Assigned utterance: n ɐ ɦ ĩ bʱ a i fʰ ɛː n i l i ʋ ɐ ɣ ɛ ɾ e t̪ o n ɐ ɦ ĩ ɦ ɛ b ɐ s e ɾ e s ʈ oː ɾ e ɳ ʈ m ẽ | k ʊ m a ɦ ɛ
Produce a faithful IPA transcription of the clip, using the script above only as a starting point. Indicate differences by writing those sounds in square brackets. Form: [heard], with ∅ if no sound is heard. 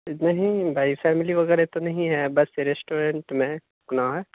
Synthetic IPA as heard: n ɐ ɦ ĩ bʱ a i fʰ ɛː [m] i l i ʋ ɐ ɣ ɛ ɾ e t̪ o n ɐ ɦ ĩ ɦ ɛ b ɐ s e ɾ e s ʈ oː ɾ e ɳ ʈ m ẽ | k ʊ [n] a ɦ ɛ